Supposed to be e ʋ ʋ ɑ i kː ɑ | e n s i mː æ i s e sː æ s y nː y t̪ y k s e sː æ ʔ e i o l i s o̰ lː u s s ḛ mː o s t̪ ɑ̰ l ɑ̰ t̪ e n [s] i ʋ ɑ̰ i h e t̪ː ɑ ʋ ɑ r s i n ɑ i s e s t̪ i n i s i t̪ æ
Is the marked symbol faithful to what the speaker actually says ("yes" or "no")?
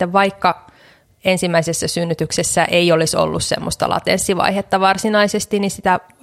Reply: no